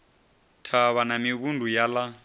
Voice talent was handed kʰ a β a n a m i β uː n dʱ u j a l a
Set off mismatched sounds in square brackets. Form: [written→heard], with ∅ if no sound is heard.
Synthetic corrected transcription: [kʰ→tʰ] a β a n a m i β [uː→u] n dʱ u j a l a